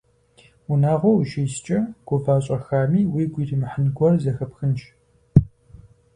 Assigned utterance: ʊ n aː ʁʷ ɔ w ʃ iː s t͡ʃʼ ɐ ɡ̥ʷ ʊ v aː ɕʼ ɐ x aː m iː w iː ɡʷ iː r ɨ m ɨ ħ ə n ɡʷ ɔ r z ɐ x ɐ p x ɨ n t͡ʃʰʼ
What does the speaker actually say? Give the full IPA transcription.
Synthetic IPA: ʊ n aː ʁʷ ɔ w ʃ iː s t͡ʃʼ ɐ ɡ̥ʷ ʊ v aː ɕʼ ɐ x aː m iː w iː ɡʷ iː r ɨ m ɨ ħ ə n ɡʷ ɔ r z ɐ x ɐ p x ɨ n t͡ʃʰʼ